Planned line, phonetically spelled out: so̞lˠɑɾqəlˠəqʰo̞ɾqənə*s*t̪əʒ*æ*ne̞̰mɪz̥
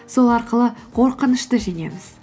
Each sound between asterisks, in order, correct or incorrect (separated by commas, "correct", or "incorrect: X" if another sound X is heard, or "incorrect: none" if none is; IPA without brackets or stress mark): incorrect: ʃ, incorrect: e